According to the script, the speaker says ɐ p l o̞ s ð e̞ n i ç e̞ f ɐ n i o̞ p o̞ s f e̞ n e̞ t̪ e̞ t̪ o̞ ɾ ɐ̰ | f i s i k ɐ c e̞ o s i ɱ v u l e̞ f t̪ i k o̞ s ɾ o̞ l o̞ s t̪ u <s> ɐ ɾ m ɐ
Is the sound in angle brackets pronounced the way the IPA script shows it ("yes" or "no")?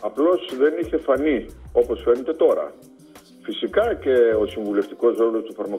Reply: no